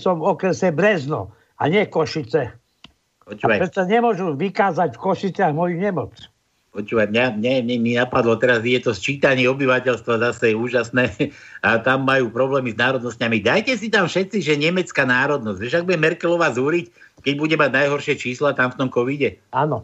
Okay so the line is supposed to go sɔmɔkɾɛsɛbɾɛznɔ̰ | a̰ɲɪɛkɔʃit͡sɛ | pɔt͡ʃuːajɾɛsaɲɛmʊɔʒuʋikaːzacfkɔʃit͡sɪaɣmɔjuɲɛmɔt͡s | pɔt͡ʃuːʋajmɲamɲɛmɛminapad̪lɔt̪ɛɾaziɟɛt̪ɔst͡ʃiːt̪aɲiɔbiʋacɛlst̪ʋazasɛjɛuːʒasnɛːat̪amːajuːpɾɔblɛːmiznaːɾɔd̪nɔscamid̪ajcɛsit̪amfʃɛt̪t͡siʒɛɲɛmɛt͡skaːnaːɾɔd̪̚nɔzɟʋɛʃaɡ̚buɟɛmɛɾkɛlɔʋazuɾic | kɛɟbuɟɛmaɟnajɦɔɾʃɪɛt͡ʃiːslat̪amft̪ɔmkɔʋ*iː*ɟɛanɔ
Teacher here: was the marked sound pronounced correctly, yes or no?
no